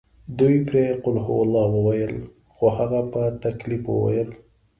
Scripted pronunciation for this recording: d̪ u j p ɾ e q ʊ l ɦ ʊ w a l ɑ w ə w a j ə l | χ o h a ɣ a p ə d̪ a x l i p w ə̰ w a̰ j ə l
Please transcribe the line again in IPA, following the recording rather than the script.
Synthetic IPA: d̪ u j p ɾ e q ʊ l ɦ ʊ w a l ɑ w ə w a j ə l | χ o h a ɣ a p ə t̪ a k l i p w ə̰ w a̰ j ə l